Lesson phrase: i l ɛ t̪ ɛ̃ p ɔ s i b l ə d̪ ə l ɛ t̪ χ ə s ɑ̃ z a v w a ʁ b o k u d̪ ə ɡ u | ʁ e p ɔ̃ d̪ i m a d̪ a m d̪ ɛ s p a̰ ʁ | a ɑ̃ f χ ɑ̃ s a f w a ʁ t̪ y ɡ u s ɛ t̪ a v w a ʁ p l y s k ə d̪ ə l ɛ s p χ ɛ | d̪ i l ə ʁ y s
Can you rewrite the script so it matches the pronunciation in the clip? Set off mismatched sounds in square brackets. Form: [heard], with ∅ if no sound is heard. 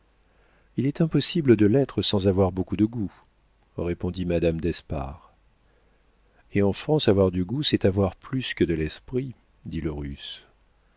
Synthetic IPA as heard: i l ɛ t̪ ɛ̃ p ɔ s i b l ə d̪ ə l ɛ t̪ χ ə s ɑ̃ z a v w a ʁ b o k u d̪ ə ɡ u | ʁ e p ɔ̃ d̪ i m a d̪ a m d̪ ɛ s p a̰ ʁ | [e] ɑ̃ f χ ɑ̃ s a [v] w a ʁ [d̪] y ɡ u s ɛ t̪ a v w a ʁ p l y s k ə d̪ ə l ɛ s p χ [i] | d̪ i l ə ʁ y s

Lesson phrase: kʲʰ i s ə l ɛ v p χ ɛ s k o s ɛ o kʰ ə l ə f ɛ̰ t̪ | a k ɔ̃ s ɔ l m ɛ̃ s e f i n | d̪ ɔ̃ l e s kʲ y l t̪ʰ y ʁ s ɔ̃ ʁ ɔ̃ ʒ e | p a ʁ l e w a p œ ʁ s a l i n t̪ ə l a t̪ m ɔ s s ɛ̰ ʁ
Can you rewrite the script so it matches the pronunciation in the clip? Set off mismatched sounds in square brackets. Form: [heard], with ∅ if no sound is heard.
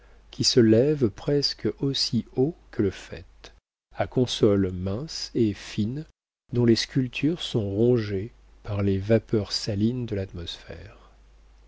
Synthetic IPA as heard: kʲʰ i s ə l ɛ v p χ ɛ s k o s [i] o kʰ ə l ə f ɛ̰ t̪ | a k ɔ̃ s ɔ l m ɛ̃ s e f i n | d̪ ɔ̃ l e s kʲ y l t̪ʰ y ʁ s ɔ̃ ʁ ɔ̃ ʒ e | p a ʁ l e [v] a p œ ʁ s a l i n [d̪] ə l a t̪ m ɔ s [f] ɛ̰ ʁ

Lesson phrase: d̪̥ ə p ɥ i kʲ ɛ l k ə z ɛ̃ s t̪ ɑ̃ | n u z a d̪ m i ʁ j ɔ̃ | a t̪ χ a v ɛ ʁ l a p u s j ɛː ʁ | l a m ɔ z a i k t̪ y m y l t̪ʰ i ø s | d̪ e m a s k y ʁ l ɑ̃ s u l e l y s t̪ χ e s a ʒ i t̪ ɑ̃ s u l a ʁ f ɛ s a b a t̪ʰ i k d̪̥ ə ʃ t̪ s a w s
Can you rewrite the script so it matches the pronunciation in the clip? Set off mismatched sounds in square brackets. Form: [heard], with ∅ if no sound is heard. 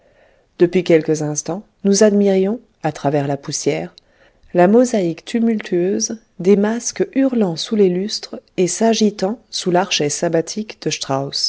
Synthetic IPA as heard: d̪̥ ə p ɥ i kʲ ɛ l k ə z ɛ̃ s t̪ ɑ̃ | n u z a d̪ m i ʁ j ɔ̃ | a t̪ χ a v ɛ ʁ l a p u s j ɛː ʁ | l a m ɔ z a i k t̪ y m y l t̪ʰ [y] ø [z] | d̪ e m a s k y ʁ l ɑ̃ s u l e l y s t̪ χ e s a ʒ i t̪ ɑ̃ s u l a ʁ [ʃ] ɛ s a b a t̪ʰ i k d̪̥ ə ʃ t̪ [χ] a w s

